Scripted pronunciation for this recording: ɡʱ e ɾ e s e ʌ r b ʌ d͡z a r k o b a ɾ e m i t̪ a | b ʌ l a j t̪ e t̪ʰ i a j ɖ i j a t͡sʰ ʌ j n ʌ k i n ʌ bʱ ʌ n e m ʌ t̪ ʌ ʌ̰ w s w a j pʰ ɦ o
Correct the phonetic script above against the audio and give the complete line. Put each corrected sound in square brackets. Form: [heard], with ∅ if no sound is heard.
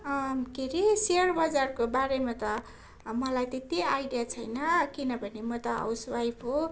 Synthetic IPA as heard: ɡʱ e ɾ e s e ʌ r b ʌ d͡z a r k o b a ɾ e m [a] t̪ [ʌ] | [m] ʌ l a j t̪ e [t̪] i a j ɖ i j a t͡sʰ ʌ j n ʌ k i n ʌ bʱ ʌ n e m ʌ t̪ ʌ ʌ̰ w s w a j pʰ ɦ o